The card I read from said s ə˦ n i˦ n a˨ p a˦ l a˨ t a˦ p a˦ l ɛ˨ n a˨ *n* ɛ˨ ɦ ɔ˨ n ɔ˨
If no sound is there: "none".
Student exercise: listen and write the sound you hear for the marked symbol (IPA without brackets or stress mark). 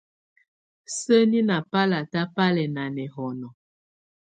n